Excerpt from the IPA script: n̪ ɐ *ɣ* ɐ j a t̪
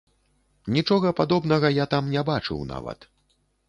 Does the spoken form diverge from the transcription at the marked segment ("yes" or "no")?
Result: no